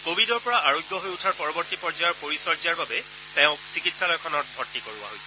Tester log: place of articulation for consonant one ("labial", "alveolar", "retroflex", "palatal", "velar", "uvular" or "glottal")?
velar